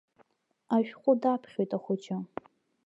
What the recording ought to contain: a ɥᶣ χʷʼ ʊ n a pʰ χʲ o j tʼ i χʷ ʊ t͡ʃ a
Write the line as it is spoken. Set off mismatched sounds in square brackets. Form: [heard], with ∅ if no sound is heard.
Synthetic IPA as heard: a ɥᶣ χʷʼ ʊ [d] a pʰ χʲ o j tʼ [a] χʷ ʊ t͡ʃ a